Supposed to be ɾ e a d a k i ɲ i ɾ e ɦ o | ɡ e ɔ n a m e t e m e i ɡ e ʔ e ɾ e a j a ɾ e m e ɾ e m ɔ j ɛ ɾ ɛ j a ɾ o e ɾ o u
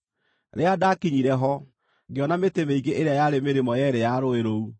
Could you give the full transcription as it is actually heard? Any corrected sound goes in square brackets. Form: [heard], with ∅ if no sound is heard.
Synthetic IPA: ɾ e a d a k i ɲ i ɾ [ɛ] ɦ [ɔ] | ɡ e ɔ n a m e t e m e i ɡ e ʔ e ɾ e a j a ɾ e m e ɾ e m ɔ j ɛ ɾ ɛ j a ɾ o e ɾ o u